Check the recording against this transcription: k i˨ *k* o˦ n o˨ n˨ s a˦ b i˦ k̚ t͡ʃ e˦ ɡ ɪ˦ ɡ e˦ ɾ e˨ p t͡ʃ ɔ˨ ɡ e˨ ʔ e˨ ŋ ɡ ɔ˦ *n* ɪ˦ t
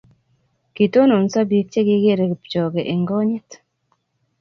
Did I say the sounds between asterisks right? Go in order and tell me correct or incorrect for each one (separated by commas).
incorrect, incorrect